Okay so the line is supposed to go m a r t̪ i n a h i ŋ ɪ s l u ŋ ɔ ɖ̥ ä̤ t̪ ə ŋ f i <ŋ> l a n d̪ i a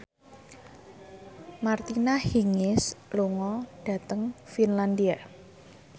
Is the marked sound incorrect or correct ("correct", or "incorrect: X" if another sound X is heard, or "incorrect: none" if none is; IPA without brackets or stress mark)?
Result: incorrect: n